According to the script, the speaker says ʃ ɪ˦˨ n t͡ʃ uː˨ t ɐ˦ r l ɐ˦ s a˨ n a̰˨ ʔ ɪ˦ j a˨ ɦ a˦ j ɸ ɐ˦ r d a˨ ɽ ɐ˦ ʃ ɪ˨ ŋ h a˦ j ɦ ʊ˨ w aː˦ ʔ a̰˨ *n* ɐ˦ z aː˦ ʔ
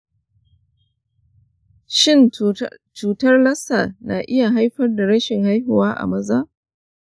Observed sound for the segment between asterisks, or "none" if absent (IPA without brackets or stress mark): m